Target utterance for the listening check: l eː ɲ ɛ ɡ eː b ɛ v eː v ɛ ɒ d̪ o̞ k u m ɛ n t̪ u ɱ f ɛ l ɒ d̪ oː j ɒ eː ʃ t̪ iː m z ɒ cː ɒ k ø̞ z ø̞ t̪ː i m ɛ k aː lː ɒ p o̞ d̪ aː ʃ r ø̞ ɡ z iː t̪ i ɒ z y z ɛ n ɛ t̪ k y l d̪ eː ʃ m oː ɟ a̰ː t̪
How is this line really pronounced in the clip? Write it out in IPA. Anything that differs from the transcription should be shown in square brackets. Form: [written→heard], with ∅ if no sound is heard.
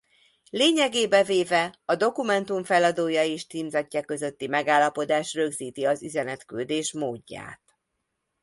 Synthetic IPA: l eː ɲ ɛ ɡ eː b ɛ v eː v ɛ ɒ d̪ o̞ k u m ɛ n t̪ u ɱ f ɛ l ɒ d̪ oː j ɒ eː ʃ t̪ iː m z ɒ cː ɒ k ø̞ z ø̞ t̪ː i m ɛ [k→ɡ] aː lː ɒ p o̞ d̪ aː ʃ r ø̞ ɡ z iː t̪ i ɒ z y z ɛ n ɛ t̪ k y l d̪ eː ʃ m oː [ɟ→ɟː] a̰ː t̪